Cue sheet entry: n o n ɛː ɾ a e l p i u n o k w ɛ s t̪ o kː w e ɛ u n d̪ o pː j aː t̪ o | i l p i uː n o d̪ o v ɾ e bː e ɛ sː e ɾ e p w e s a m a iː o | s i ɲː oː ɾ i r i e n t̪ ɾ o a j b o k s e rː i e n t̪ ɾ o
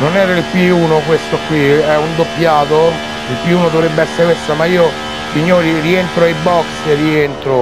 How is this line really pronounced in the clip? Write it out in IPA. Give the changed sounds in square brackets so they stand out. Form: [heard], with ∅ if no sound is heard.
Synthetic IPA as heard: n o n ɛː ɾ a [i] l p i [uː] n o k w [e] s t̪ o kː w [i] ɛ u n d̪ o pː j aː t̪ o | i l p i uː n o d̪ o v ɾ e bː e ɛ sː e ɾ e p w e s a m a iː o | s i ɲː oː ɾ i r i e n t̪ ɾ o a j b [ɔ] k s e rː i e n t̪ ɾ o